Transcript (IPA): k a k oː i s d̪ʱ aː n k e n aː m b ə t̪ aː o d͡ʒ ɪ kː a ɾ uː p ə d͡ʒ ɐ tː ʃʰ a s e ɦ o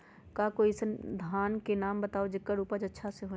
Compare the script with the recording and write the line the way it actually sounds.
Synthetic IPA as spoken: k a k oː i s d̪ʱ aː n k e n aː m b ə t̪ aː o d͡ʒ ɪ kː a ɾ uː p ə d͡ʒ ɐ tː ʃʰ a s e ɦ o

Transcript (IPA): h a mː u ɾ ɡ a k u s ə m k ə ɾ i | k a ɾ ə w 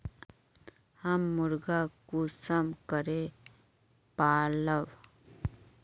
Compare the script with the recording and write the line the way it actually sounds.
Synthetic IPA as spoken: h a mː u ɾ ɡ a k u s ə m k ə ɾ e | p a l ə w

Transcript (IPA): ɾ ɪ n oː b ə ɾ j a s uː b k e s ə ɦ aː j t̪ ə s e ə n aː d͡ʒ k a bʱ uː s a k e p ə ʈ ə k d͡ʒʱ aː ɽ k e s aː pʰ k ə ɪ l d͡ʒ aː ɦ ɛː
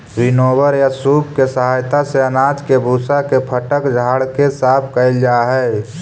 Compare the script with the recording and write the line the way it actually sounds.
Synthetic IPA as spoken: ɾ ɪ n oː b ə ɾ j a s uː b k e s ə ɦ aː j t̪ a s e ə n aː d͡ʒ k e bʱ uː s a k e pʰ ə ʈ ə k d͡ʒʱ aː ɽ k e s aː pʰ k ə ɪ l d͡ʒ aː ɦ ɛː

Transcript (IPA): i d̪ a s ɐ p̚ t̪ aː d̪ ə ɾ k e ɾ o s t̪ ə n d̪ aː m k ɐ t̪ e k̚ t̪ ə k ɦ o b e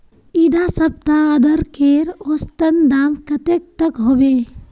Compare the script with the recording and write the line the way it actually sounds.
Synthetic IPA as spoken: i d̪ a s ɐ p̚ t̪ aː d̪ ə ɾ k e ɾ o s t̪ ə n d̪ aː m k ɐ t̪ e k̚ t̪ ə k ɦ o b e

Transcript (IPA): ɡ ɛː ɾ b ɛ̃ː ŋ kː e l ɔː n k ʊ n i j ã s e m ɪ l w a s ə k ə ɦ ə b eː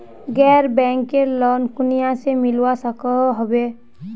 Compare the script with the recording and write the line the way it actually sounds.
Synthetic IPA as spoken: ɡ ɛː ɾ b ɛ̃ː ŋ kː e l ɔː n k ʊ n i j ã s e m ɪ l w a s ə k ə ɦ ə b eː

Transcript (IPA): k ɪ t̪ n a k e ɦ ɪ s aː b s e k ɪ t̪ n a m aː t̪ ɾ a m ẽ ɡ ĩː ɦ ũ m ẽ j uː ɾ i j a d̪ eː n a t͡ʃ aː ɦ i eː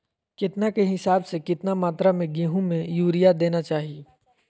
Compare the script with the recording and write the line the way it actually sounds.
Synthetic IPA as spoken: k ɪ t̪ n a k e ɦ ɪ s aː b s e k ɪ t̪ n a m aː t̪ ɾ a m ẽ ɡ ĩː ɦ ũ m ẽ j uː ɾ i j a d̪ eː n a t͡ʃ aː ɦ i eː

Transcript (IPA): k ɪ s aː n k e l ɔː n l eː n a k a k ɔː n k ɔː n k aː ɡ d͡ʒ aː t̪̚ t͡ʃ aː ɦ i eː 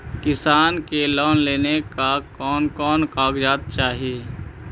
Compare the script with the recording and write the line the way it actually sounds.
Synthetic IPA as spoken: k ɪ s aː n k e l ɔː n l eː n e k a k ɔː n k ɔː n k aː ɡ d͡ʒ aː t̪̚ t͡ʃ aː ɦ i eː

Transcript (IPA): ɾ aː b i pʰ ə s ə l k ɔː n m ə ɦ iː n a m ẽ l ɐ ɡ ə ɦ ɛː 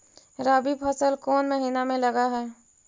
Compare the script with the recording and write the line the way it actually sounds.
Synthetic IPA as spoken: ɾ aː b i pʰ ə s ə l k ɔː n m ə ɦ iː n a m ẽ l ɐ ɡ a ɦ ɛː

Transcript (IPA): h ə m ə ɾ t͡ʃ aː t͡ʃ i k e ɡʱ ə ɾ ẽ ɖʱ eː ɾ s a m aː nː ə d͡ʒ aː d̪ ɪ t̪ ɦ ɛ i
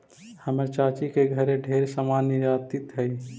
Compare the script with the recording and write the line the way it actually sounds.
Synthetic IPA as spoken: h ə m ə ɾ t͡ʃ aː t͡ʃ i k e ɡʱ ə ɾ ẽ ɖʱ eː ɾ s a m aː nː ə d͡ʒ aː t̪ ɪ t̪ ɦ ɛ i

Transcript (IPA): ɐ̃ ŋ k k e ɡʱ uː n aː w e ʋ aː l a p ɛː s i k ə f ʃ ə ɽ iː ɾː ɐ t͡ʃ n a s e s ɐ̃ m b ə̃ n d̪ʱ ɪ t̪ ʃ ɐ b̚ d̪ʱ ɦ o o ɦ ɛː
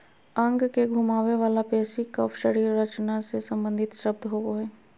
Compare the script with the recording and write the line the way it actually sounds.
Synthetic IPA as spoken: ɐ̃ ŋ ɡ k e ɡʱ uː m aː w e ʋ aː l a p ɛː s i k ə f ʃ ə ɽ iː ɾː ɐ t͡ʃ n a s e s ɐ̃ m b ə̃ n d̪ʱ ɪ t̪ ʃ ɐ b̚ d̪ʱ ɦ o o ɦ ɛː

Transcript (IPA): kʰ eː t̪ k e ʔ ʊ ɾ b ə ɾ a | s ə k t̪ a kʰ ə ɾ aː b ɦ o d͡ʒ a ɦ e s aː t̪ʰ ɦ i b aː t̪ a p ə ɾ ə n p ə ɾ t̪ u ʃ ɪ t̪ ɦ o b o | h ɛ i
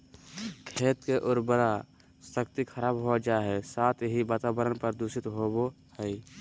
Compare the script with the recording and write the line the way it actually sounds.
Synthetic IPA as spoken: kʰ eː t̪ k e ʔ ʊ ɾ b ə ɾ a | s ə k t̪ i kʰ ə ɾ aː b ɦ o d͡ʒ a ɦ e s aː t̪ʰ ɦ i b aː t̪ a b ə ɾ ə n p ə ɾ d̪ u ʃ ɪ t̪ ɦ o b o | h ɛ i

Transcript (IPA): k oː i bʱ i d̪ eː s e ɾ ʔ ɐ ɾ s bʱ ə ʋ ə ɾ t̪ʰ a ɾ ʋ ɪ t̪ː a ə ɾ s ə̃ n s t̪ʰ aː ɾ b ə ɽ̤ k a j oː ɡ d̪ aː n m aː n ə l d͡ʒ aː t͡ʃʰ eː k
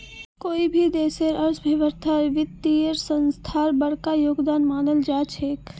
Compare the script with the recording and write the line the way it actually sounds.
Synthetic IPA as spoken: k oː i bʱ i d̪ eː s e ɾ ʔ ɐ ɾ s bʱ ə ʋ ə ɾ t̪ʰ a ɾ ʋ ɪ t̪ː i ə ɾ s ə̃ n s t̪ʰ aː ɾ b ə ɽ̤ k a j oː ɡ d̪ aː n m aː n ə l d͡ʒ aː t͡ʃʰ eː k

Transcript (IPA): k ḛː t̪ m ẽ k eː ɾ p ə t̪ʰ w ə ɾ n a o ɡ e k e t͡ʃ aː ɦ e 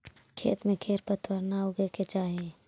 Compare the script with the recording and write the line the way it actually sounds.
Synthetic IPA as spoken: kʰ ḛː t̪ m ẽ kʰ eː ɾ p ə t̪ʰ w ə ɾ n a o ɡ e k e t͡ʃ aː ɦ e

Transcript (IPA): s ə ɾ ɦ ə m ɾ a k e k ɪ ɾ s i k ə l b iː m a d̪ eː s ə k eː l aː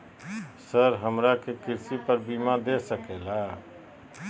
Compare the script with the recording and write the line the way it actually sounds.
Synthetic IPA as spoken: s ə ɾ ɦ ə m ɾ a k e k ɪ ɾ s i p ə ɾ b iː m a d̪ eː s ə k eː l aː

